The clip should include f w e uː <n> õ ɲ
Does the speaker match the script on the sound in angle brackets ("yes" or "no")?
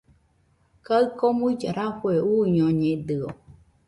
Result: no